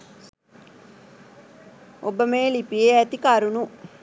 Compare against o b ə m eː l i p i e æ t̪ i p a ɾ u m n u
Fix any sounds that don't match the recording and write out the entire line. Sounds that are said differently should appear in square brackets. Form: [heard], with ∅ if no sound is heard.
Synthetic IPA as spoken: o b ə m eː l i p i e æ t̪ i [k] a ɾ u [∅] n u